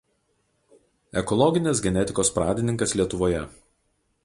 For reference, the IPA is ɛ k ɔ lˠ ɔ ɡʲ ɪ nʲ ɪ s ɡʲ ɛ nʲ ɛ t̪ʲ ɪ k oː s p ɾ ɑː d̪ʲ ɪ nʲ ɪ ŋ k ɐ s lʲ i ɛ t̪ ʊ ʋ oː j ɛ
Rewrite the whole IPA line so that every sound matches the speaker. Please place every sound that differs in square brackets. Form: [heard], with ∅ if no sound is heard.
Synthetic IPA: ɛ k ɔ lˠ ɔ ɡʲ ɪ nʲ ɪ s ɡʲ ɛ nʲ ɛ t̪ʲ ɪ k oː s p ɾ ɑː d̪ʲ ɪ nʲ ɪ ŋ k ɐ s lʲ i ɛ t̪ ʊ ʋ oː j ɛ